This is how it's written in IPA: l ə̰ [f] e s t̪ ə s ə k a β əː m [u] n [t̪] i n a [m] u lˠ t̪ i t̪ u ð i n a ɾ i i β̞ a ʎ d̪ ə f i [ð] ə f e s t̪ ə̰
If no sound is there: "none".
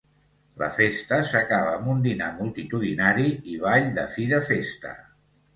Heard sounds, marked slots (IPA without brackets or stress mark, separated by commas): f, u, d̪, m, ð